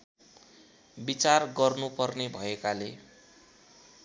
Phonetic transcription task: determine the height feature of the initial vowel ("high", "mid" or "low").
high